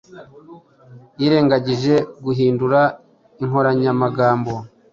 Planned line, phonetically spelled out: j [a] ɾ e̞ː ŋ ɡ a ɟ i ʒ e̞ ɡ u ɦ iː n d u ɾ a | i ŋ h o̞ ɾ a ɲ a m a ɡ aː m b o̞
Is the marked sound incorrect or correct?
incorrect